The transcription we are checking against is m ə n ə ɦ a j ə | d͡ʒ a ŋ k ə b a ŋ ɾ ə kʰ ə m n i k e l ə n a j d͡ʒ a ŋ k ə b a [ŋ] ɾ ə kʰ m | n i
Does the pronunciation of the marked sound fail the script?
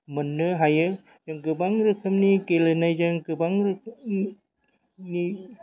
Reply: no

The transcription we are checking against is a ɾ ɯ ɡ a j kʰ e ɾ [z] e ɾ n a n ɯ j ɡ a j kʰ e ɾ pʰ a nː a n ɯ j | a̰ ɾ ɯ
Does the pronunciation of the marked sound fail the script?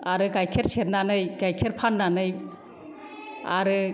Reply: yes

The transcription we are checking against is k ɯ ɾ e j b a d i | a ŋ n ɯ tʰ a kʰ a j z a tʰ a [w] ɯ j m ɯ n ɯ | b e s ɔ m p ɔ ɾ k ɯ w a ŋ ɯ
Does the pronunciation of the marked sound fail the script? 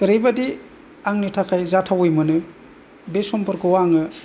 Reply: no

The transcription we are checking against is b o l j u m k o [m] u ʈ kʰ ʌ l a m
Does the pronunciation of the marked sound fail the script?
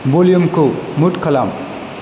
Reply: no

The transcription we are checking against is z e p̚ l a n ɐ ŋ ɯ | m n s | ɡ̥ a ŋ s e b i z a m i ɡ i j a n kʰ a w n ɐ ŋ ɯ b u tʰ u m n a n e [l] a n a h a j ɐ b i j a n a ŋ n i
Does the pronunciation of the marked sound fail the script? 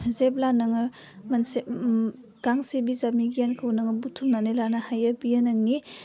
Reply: no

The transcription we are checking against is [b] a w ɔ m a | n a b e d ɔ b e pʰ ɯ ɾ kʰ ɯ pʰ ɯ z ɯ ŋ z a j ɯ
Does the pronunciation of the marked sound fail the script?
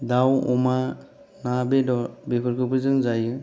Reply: yes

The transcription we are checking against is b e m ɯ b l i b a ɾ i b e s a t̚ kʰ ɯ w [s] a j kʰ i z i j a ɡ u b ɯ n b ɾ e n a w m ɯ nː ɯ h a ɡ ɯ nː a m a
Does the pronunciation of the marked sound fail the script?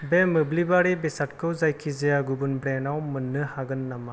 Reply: yes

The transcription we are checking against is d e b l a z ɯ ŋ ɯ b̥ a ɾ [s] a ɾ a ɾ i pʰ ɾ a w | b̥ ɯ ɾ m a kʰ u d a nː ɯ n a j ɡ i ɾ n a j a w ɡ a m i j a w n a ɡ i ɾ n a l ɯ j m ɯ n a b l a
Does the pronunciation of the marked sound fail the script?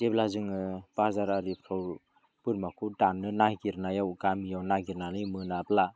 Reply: yes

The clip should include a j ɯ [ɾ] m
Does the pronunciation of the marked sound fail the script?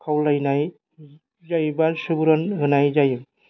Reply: yes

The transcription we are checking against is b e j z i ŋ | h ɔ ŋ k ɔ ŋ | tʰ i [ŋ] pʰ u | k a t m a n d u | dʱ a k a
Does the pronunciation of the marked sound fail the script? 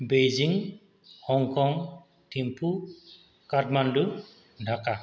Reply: yes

